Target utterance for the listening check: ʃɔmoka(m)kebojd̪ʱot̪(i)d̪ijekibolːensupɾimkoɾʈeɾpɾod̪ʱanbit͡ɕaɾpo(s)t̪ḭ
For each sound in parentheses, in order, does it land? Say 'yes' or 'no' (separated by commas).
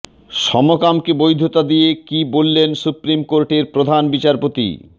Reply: yes, no, no